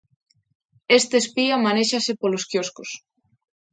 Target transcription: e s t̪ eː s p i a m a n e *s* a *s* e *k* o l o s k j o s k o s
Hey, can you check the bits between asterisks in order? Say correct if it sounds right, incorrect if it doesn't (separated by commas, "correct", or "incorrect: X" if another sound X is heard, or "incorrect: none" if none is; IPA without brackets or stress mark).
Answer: incorrect: ʃ, correct, incorrect: p